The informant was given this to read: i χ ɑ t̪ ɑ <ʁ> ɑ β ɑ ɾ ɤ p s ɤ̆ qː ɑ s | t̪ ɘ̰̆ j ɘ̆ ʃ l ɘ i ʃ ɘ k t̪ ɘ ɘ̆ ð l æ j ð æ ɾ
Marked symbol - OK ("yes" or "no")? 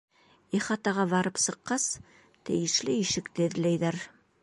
yes